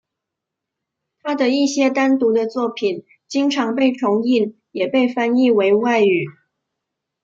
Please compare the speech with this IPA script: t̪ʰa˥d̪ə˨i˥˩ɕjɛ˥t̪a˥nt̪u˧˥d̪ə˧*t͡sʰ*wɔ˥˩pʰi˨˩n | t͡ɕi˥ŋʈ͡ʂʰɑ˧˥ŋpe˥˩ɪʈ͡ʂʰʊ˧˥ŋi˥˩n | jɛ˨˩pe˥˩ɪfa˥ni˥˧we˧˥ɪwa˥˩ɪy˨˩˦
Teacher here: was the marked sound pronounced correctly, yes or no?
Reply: no